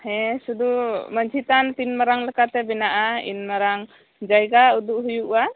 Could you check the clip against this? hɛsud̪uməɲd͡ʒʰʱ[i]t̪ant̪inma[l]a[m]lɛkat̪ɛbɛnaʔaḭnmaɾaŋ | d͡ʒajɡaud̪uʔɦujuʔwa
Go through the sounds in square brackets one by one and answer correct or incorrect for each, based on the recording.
correct, incorrect: ɾ, incorrect: ŋ

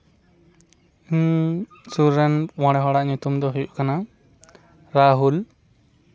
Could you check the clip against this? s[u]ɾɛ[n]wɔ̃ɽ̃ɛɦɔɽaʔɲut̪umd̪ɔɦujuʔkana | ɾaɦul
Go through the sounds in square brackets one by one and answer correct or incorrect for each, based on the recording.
correct, correct

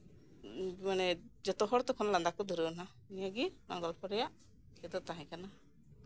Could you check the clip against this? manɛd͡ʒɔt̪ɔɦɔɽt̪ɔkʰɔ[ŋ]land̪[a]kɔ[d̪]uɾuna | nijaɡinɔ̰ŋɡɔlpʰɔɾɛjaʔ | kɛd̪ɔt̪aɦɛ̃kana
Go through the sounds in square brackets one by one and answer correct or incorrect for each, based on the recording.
incorrect: n, correct, correct

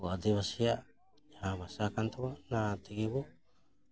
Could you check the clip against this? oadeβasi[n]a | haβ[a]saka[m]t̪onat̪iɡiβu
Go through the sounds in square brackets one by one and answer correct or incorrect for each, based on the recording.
incorrect: none, correct, incorrect: n

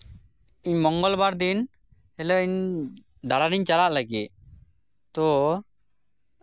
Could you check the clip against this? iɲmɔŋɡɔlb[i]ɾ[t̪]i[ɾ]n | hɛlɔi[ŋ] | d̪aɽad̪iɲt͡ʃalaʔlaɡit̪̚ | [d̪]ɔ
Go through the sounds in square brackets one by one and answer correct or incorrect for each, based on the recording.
incorrect: a, incorrect: d̪, incorrect: none, incorrect: ɲ, incorrect: t̪

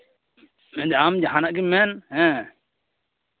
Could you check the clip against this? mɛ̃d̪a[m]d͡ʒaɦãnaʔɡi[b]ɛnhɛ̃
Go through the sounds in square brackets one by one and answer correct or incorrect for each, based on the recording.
correct, incorrect: m

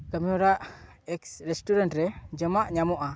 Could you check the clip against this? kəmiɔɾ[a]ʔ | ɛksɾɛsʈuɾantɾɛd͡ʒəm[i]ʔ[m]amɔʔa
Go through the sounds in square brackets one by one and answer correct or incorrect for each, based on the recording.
correct, incorrect: a, incorrect: ɲ

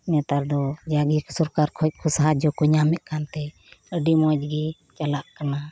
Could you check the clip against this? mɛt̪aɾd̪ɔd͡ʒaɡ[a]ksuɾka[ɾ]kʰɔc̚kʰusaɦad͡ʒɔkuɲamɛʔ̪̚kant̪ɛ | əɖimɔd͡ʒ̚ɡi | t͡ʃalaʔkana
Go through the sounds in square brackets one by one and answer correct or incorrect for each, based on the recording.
incorrect: i, correct

